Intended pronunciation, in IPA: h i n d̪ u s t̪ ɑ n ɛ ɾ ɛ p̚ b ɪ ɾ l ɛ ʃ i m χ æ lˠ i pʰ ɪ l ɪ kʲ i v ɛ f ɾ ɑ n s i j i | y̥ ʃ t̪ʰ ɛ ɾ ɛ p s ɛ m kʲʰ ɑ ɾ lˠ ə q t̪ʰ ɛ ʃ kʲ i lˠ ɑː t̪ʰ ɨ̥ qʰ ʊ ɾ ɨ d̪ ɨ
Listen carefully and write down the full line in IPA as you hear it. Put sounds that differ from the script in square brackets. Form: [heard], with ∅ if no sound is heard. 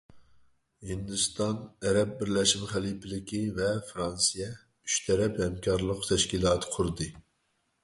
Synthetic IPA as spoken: h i n d̪ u s t̪ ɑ n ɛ ɾ ɛ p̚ b ɪ ɾ l ɛ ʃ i m χ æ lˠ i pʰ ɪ l ɪ kʲ i v ɛ f ɾ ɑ n s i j [ɛ] | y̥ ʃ t̪ʰ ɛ ɾ ɛ p [h] ɛ m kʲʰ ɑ ɾ lˠ ə q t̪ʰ ɛ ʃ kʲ i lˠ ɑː t̪ʰ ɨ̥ qʰ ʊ ɾ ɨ d̪ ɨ